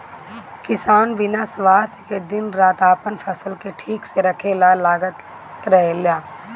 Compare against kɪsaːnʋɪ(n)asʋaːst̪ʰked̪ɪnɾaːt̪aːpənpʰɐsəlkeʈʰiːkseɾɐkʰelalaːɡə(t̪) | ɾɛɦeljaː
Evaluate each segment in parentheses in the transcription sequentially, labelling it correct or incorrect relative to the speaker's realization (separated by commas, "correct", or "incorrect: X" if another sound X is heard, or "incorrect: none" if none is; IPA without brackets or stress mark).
correct, correct